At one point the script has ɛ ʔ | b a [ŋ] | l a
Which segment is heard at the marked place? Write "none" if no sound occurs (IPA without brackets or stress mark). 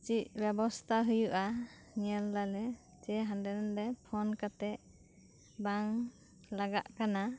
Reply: ŋ